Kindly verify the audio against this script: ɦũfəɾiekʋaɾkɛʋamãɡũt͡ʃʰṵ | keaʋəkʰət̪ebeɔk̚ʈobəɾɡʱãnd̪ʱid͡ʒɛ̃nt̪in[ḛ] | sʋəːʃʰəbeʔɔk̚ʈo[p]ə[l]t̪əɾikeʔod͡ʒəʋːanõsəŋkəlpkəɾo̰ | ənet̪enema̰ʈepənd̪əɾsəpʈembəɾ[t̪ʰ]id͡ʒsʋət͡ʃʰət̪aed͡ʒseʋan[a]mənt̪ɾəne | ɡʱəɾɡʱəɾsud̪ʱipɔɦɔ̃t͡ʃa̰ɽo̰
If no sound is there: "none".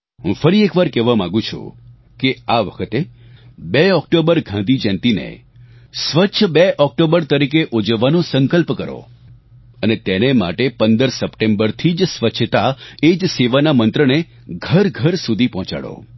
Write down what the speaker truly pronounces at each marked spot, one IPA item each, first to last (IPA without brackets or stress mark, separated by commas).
ḛ, b, ɾ, t̪ʰ, a